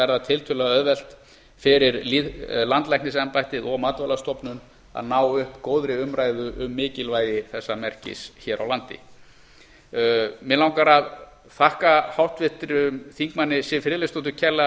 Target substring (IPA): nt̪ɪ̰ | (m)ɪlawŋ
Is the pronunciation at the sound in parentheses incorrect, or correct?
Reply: correct